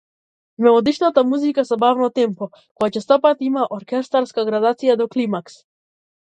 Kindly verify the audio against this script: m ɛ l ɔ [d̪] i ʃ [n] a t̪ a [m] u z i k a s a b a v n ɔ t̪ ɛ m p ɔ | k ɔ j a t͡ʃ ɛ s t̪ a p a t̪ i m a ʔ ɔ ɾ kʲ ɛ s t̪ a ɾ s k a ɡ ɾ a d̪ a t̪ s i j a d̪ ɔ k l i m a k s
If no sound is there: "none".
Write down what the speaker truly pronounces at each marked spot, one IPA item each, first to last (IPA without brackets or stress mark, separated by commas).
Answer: d̪, n, m